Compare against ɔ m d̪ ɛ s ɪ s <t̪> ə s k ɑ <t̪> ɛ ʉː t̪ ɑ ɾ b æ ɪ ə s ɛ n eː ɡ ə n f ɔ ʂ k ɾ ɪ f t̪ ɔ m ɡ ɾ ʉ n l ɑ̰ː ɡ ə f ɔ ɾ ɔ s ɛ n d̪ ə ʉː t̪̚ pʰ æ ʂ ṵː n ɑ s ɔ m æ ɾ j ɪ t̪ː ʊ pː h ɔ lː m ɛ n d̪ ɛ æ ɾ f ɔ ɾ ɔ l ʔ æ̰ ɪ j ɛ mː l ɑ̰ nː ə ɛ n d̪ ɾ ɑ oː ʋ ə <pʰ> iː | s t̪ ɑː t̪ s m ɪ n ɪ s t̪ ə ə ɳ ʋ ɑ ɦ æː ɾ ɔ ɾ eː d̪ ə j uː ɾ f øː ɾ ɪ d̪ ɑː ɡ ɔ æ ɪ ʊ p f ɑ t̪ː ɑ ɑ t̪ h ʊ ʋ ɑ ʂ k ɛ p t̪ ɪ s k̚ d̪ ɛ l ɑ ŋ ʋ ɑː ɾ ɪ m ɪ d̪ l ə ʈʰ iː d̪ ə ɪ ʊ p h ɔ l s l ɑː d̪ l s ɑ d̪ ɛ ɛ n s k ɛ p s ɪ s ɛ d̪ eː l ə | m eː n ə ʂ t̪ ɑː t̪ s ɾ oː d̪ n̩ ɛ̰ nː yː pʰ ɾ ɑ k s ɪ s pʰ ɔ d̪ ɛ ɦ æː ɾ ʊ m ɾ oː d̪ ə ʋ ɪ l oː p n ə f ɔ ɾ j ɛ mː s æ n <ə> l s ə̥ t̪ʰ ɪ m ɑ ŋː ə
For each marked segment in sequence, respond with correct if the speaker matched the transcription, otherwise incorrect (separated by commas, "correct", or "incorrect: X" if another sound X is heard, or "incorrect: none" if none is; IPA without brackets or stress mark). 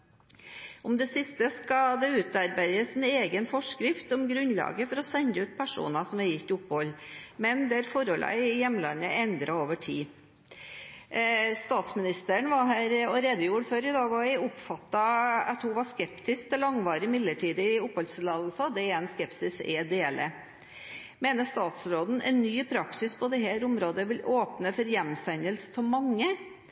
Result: correct, incorrect: d̪, incorrect: ʈʰ, correct